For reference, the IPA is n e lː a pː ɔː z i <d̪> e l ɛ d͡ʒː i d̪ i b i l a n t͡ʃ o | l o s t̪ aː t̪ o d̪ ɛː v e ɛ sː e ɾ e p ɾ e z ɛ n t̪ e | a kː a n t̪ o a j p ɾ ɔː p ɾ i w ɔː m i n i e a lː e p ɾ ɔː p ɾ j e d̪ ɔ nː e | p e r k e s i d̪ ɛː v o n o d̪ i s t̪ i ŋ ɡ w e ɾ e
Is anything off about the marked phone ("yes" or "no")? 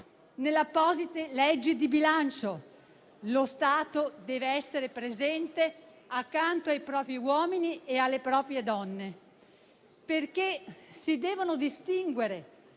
yes